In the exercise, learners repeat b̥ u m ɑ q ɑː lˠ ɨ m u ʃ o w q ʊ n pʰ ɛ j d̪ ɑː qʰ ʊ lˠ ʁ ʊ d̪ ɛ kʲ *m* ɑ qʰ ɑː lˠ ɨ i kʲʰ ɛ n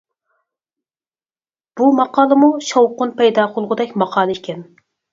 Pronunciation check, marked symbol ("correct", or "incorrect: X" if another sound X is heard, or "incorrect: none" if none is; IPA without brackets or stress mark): correct